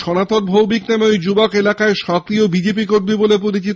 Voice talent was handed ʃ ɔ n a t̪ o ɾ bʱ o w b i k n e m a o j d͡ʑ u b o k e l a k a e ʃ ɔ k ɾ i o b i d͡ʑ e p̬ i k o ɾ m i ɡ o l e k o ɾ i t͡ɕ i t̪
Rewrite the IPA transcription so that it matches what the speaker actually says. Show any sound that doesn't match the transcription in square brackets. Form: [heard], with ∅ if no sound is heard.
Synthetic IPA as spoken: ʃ ɔ n a t̪ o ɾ bʱ o w b i k n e m [e] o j d͡ʑ u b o k e l a k a e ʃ ɔ k ɾ i o b i d͡ʑ e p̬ i k o ɾ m i [b] o l e [p] o ɾ i t͡ɕ i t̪